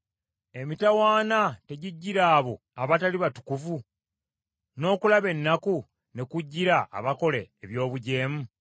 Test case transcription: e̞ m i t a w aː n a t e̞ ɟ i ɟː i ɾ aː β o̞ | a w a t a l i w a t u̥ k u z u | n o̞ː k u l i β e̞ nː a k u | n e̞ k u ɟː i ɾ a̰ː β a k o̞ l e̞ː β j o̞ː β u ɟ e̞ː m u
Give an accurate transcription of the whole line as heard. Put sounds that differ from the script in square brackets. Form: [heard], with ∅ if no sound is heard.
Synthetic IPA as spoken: e̞ m i t a w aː n a t e̞ ɟ i ɟː i ɾ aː β o̞ | a [β] a t a l i [β] a t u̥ k u [v] u | n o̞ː k u l [a] β e̞ nː a k u | n e̞ k u ɟː i ɾ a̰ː β a k o̞ l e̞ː β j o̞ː β u ɟ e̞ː m u